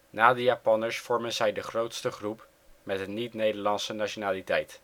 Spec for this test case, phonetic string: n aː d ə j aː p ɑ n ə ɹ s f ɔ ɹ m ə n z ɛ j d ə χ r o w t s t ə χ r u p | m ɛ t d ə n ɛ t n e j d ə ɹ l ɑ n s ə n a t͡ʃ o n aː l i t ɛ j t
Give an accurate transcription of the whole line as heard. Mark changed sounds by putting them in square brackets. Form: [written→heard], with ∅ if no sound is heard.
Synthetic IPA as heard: n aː d ə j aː p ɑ n ə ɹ s f ɔ ɹ m ə n z ɛ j d ə χ r o w t s t ə χ r u p | m ɛ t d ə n [ɛ→i] t n e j d ə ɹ l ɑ n s ə n a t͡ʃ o n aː l i t ɛ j t